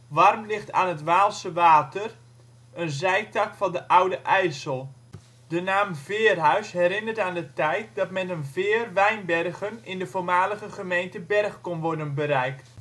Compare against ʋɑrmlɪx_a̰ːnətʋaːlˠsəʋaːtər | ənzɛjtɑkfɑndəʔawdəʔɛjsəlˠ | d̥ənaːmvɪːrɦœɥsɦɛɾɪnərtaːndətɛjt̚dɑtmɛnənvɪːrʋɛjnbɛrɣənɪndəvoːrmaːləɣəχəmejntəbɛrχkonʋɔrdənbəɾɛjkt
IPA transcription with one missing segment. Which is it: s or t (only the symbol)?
t